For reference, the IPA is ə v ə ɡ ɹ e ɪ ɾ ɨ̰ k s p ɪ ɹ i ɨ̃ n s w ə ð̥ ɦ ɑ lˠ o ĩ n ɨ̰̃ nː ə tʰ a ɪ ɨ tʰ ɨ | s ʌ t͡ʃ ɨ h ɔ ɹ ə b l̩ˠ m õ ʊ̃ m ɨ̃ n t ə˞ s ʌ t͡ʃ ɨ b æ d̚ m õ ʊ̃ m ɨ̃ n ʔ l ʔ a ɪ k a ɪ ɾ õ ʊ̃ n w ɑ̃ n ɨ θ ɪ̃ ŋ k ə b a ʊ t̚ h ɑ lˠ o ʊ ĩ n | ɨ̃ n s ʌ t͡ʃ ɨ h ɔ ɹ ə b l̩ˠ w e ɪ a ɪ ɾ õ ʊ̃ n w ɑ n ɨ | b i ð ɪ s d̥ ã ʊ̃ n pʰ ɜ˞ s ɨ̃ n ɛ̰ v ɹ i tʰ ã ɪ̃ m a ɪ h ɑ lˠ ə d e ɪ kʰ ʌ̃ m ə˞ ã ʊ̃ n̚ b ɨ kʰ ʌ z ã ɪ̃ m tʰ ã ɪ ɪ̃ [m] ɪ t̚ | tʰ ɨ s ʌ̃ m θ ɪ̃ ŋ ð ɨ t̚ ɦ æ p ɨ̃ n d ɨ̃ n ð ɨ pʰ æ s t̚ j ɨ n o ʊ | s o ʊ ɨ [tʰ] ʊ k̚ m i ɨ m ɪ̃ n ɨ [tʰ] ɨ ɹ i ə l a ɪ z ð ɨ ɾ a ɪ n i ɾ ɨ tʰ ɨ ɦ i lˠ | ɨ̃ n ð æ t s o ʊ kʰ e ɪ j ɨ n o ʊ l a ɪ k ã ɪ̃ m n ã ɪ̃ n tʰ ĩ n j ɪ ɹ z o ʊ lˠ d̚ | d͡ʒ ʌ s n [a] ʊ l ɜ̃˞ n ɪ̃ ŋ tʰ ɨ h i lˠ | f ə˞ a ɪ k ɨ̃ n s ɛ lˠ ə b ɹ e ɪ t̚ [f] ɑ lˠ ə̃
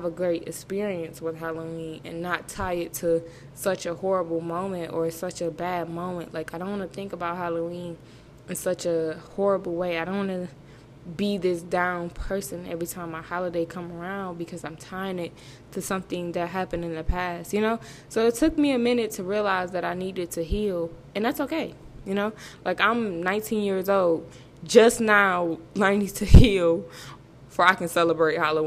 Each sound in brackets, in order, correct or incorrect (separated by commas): incorrect, correct, correct, correct, incorrect